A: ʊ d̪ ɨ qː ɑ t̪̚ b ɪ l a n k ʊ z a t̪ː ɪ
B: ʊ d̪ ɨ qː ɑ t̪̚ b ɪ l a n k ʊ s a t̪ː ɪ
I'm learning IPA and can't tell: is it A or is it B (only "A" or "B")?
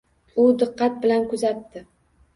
A